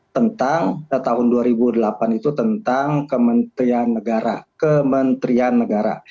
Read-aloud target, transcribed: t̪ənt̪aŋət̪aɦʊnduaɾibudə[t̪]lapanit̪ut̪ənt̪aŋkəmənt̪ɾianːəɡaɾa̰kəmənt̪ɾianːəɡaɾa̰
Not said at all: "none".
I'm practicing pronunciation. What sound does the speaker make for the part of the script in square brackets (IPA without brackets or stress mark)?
none